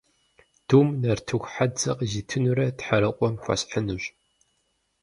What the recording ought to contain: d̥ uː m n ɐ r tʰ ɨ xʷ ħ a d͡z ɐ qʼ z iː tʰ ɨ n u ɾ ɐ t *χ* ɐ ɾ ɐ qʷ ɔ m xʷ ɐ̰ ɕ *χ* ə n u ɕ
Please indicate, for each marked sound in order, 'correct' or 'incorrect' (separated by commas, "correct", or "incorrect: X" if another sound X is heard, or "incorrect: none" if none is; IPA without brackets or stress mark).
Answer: incorrect: ħ, incorrect: ħ